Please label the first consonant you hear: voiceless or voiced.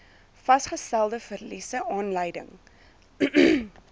voiceless